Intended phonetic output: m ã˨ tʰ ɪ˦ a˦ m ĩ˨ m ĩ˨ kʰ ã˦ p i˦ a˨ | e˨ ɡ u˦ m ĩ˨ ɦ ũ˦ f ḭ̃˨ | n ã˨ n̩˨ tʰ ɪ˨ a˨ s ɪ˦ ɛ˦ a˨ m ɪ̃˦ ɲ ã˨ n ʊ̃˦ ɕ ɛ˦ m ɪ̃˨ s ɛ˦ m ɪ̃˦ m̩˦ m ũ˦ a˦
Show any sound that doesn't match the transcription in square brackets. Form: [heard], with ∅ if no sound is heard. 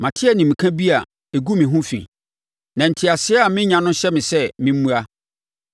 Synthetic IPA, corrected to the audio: m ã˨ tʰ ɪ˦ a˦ [n] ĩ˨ m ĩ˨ kʰ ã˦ [b] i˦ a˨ | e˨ ɡ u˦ m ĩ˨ ɦ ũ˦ f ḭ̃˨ | n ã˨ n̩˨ tʰ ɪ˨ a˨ s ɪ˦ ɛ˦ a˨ m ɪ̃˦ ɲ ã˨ n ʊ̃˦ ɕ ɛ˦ m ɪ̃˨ s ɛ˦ m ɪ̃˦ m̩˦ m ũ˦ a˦